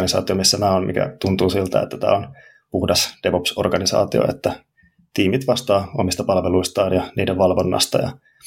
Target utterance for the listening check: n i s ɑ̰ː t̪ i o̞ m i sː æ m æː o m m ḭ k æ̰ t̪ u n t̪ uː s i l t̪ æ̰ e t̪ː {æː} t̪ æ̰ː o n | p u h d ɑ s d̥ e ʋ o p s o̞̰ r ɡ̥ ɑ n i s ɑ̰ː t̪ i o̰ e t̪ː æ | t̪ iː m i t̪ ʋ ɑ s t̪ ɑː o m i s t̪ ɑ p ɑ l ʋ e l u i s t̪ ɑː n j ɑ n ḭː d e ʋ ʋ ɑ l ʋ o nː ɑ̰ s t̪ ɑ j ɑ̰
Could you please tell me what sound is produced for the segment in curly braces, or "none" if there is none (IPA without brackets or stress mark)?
æ